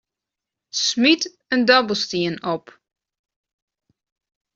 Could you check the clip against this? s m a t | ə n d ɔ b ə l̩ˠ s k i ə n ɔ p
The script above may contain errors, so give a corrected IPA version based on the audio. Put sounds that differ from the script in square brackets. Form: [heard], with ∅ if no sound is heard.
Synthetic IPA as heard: s m [i] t | ə n d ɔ b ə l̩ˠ s [t] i ə n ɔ p